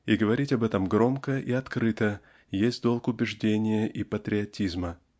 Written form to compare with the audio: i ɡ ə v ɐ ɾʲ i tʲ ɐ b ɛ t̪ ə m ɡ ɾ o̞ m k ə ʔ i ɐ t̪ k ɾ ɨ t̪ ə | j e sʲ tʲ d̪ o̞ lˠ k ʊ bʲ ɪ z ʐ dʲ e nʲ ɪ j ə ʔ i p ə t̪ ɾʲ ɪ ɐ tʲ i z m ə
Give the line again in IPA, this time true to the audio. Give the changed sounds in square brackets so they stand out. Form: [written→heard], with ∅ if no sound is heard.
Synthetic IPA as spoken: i ɡ ə v ɐ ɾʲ i tʲ ɐ b ɛ t̪ ə m ɡ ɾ o̞ m k ə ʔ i ɐ t̪ k ɾ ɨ t̪ ə | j e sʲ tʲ d̪ o̞ lˠ k ʊ bʲ ɪ [z→∅] ʐ dʲ e nʲ ɪ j ə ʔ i p ə t̪ ɾʲ ɪ ɐ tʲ i z m ə